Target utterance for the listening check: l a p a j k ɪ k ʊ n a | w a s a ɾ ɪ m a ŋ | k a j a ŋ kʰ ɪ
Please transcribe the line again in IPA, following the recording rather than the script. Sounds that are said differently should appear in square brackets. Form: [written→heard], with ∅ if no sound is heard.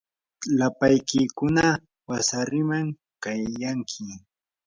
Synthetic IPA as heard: l a p a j k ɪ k ʊ n a | w a s a ɾ ɪ m a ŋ | k a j a ŋ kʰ ɪ